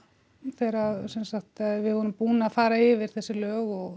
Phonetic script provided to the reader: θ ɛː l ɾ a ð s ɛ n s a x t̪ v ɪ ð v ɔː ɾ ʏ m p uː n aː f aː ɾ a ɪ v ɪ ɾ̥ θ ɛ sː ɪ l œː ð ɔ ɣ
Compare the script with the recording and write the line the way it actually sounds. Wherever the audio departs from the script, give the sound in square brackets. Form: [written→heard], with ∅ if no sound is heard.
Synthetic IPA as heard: θ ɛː [l→∅] ɾ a ð s ɛ n s a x t̪ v ɪ ð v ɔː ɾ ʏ m p uː n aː f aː ɾ a ɪ v ɪ ɾ̥ θ ɛ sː ɪ l œː [ð→ɣ] ɔ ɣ